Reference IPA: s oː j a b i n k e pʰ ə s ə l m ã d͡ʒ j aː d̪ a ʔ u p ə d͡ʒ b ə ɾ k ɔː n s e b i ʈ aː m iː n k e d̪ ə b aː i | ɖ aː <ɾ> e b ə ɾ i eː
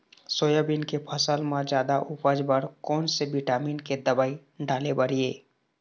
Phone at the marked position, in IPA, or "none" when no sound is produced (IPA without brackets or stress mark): l